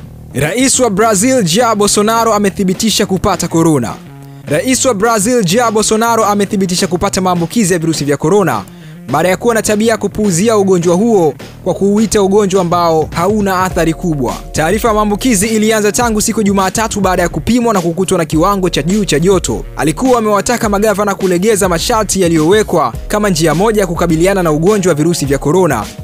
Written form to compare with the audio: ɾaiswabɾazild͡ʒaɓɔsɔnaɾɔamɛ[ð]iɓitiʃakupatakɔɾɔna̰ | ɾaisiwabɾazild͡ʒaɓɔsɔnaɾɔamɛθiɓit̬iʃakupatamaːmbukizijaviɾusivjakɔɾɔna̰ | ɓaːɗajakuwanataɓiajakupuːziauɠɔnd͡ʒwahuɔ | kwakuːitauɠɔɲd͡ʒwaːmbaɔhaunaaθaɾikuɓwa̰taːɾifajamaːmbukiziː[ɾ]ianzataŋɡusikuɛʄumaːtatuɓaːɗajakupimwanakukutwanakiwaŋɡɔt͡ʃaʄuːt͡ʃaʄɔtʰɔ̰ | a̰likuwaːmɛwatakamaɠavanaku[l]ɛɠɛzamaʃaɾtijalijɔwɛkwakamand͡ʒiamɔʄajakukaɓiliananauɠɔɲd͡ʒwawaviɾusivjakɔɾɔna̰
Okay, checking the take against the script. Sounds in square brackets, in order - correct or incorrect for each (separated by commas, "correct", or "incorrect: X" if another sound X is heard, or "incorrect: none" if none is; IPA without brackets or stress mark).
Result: incorrect: θ, incorrect: l, correct